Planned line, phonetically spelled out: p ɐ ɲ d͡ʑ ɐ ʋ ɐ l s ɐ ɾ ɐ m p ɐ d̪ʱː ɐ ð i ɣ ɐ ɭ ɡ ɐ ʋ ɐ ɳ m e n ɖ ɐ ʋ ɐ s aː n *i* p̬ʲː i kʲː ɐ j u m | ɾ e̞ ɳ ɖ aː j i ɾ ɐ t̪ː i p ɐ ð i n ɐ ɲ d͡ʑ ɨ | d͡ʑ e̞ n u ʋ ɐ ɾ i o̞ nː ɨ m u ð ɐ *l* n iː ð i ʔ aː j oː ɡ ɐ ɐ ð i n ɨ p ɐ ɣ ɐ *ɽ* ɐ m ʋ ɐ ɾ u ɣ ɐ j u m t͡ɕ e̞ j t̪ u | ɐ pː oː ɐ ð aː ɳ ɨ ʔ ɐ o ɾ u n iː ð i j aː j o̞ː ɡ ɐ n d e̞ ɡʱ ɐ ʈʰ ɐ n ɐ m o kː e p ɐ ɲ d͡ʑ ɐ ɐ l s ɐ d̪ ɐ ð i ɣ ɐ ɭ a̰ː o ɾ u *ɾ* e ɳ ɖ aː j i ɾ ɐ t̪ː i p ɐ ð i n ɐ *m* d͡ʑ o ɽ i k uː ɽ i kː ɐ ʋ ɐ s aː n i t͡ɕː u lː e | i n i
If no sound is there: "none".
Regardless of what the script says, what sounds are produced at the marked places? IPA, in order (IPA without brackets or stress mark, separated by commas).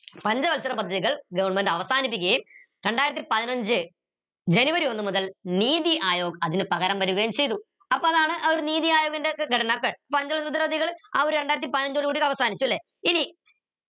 i, l, ɾ, ɾ, ɲ